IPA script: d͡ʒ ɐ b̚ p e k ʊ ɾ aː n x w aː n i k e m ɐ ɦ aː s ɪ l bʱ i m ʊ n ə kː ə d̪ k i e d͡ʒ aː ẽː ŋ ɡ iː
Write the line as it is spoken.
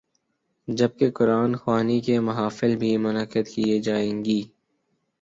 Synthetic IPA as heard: d͡ʒ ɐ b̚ k e k ʊ ɾ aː n x w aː n i k e m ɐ ɦ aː f ɪ l bʱ i m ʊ n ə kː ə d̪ k i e d͡ʒ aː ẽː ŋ ɡ iː

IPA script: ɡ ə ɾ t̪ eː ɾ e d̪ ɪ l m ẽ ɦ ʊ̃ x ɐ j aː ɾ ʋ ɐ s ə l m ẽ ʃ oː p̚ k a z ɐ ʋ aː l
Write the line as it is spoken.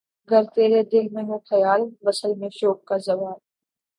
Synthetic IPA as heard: ɡ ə ɾ t̪ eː ɾ e d̪ ɪ l m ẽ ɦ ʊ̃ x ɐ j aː l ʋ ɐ s ə l m ẽ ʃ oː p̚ k a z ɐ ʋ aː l

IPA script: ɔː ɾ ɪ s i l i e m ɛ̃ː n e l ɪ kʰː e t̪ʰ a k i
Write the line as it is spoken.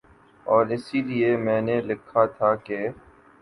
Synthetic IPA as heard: ɔː ɾ ɪ s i l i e m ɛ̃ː n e l ɪ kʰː a t̪ʰ a k e

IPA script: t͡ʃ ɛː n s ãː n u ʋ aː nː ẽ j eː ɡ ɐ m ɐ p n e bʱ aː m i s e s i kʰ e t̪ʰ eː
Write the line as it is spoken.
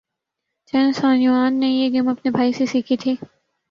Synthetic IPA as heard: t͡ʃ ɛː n s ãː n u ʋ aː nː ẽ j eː ɡ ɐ m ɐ p n e bʱ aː i s e s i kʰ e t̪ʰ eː

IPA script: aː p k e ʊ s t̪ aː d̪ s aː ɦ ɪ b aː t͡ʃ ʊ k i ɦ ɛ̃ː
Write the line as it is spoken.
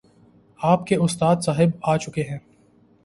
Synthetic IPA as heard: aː p k e ʊ s t̪ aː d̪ s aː ɦ ɪ b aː t͡ʃ ʊ k e ɦ ɛ̃ː

